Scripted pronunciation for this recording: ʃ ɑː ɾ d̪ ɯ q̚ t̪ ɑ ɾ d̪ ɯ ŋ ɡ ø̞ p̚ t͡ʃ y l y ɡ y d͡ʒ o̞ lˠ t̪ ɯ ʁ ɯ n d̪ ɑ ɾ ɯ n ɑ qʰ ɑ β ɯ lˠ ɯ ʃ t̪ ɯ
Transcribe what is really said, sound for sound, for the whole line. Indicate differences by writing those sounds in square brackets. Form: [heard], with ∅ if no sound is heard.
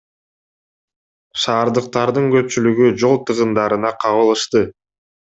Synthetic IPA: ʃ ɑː ɾ d̪ ɯ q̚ t̪ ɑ ɾ d̪ ɯ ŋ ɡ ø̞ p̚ t͡ʃ y l y ɡ y d͡ʒ o̞ lˠ t̪ ɯ ʁ ɯ n d̪ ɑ ɾ ɯ n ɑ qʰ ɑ β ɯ lˠ ɯ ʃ t̪ ɯ